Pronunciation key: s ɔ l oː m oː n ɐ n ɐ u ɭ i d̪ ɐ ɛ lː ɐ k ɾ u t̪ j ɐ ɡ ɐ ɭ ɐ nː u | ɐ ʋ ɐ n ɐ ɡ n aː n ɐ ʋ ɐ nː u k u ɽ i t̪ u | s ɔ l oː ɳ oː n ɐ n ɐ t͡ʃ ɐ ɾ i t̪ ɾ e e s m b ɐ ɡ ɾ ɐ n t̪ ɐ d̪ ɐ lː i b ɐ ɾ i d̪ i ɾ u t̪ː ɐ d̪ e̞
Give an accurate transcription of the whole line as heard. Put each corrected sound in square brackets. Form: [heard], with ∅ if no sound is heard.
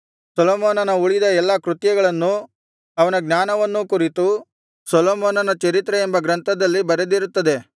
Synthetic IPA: s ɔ l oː m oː n ɐ n ɐ u ɭ i d̪ ɐ ɛ lː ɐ k ɾ u t̪ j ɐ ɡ ɐ ɭ ɐ nː u | ɐ ʋ ɐ n ɐ ɡ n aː n ɐ ʋ ɐ nː u k u [ɾ] i t̪ u | s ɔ l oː [m] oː n ɐ n ɐ t͡ʃ ɐ ɾ i t̪ ɾ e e [∅] m b ɐ ɡ ɾ ɐ n t̪ ɐ d̪ ɐ lː i b ɐ ɾ [e] d̪ i ɾ u t̪ː ɐ d̪ e̞